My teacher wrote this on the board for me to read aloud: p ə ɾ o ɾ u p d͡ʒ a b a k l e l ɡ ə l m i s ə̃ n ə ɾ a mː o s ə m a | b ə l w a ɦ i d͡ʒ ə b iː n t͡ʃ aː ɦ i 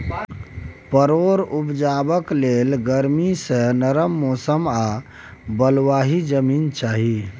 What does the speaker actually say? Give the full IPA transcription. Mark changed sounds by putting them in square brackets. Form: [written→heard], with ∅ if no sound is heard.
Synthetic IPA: p ə ɾ o ɾ u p d͡ʒ a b [a→ə] k l e l ɡ ə [l→ɾ] m i s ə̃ n ə ɾ [a→ə] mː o s ə m a | b ə l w a ɦ i d͡ʒ ə [b→m] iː n t͡ʃ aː ɦ i